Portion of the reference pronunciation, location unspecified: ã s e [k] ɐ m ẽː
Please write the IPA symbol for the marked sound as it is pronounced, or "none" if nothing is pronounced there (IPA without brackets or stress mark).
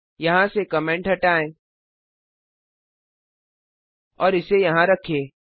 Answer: k